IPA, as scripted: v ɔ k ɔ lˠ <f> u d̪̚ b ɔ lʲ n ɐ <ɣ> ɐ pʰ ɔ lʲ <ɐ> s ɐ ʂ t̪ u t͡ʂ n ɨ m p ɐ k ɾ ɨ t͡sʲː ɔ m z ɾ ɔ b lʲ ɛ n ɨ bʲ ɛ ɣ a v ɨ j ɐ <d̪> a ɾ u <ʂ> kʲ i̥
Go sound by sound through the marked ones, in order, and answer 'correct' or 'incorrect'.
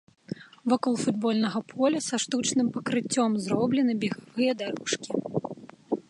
correct, correct, correct, correct, correct

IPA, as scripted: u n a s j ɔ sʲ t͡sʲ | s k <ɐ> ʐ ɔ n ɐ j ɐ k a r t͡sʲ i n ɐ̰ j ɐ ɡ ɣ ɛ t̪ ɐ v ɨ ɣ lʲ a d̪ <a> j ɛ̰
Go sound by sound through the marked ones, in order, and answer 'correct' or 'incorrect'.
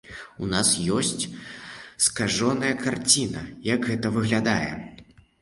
incorrect: a, correct

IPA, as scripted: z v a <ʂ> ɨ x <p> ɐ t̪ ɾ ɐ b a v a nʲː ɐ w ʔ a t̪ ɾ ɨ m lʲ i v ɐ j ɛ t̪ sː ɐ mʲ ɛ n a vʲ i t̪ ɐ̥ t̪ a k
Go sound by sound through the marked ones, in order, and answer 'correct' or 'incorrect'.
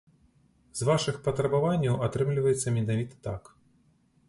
correct, correct

